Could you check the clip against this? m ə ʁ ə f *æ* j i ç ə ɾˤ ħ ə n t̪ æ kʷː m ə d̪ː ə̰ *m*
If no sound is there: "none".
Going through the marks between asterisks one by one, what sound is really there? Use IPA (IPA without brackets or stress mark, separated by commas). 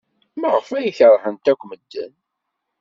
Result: æ, n